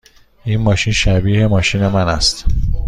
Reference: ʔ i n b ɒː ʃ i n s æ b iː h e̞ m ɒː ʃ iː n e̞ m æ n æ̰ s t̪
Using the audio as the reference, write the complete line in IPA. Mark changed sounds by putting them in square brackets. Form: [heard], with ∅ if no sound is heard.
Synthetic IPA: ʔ i n [m] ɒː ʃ i n [ʃ] æ b iː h e̞ m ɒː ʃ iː n e̞ m æ n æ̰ s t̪